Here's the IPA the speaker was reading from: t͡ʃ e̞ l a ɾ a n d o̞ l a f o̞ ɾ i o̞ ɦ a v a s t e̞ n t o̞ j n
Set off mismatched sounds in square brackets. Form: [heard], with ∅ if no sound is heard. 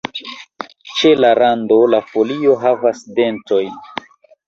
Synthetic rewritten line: t͡ʃ e̞ l a ɾ a n d o̞ l a f o̞ [l] i o̞ ɦ a v a s [d] e̞ n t o̞ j n